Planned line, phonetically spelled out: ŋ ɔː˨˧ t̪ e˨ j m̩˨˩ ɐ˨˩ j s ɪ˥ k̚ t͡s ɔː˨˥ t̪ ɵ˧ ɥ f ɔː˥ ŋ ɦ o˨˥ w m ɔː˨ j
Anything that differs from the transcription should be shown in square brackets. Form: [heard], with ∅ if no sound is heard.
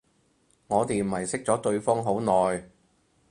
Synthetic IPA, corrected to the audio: ŋ ɔː˨˧ t̪ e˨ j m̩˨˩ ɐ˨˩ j s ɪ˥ k̚ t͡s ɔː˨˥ t̪ ɵ˧ ɥ f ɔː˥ ŋ ɦ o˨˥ w [n] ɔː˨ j